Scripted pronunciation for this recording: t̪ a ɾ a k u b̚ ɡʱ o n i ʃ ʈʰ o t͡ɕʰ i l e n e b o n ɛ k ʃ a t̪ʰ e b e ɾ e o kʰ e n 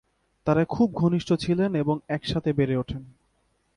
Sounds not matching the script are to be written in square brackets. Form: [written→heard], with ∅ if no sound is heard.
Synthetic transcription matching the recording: t̪ a ɾ a [k→kʰ] u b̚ ɡʱ o n i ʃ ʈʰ o t͡ɕʰ i l e n e b o [n→ŋ] ɛ k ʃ a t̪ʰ e b e ɾ e o [kʰ→ʈʰ] e n